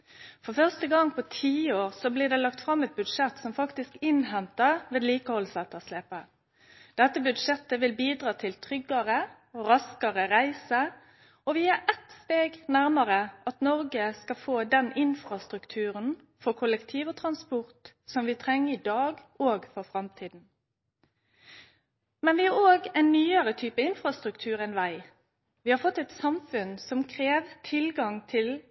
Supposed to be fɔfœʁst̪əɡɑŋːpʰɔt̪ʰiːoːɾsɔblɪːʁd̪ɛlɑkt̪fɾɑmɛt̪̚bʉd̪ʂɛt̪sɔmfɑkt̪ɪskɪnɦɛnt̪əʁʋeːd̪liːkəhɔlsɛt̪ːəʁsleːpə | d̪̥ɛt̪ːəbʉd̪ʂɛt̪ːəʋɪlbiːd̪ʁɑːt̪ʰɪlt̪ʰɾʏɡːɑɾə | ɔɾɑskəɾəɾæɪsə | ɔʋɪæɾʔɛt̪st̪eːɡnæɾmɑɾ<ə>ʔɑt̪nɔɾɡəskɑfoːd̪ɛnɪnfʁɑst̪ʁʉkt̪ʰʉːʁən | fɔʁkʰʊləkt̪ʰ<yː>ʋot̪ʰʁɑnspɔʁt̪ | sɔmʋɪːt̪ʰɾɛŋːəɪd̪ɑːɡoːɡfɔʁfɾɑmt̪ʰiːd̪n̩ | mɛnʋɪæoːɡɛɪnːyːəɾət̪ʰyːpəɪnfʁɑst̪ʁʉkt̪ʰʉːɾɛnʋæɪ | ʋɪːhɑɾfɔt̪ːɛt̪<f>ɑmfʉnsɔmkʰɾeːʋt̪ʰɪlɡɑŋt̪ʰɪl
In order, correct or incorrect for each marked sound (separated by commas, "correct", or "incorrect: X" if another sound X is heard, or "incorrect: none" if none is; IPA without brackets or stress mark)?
correct, incorrect: iː, incorrect: s